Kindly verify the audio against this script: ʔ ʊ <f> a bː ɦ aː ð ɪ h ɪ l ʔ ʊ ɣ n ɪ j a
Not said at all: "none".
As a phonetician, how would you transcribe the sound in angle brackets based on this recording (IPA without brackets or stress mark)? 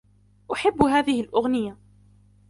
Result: ħ